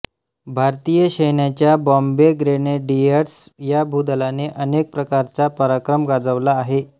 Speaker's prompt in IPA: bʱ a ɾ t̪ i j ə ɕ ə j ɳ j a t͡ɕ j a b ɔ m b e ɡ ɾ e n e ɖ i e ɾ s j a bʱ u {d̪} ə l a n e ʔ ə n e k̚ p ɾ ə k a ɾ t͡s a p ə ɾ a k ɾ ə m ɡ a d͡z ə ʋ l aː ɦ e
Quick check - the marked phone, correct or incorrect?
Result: correct